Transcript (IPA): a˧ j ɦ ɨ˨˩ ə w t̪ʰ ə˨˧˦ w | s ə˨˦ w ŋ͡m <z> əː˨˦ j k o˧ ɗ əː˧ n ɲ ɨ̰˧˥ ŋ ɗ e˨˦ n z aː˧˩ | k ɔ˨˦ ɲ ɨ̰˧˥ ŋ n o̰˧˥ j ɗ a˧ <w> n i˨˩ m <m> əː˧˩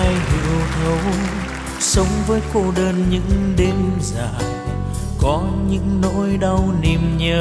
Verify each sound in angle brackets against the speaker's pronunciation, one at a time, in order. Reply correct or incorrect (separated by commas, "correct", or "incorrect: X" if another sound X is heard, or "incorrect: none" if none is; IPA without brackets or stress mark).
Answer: incorrect: v, correct, incorrect: ɲ